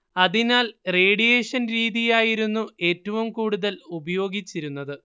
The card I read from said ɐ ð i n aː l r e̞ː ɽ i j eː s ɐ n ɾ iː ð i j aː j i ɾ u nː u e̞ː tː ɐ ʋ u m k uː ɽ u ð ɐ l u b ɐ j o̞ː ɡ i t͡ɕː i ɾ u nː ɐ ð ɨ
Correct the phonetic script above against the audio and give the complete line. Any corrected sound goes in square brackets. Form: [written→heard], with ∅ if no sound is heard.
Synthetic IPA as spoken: ɐ ð i n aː l r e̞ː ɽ i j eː [s→ʂ] ɐ n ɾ iː ð i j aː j i ɾ u nː u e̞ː tː ɐ ʋ u m k uː ɽ u ð ɐ l u b ɐ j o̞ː ɡ i t͡ɕː i ɾ u nː ɐ ð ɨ